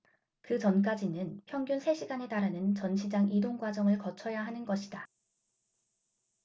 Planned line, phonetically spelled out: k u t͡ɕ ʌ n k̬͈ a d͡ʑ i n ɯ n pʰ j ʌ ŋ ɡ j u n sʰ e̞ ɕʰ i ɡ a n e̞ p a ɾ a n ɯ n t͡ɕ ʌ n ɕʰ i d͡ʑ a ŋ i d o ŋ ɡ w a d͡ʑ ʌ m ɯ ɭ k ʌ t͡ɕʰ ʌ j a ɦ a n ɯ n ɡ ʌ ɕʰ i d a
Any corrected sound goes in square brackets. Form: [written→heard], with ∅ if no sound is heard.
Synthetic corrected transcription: k [u→ɯ] t͡ɕ ʌ n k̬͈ a d͡ʑ i n ɯ n pʰ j ʌ ŋ ɡ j u n sʰ e̞ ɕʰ i ɡ a n e̞ [p→t] a ɾ a n ɯ n t͡ɕ ʌ n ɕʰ i d͡ʑ a ŋ i d o ŋ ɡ w a d͡ʑ ʌ [m→ŋ] ɯ ɭ k ʌ t͡ɕʰ ʌ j a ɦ a n ɯ n ɡ ʌ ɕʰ i d a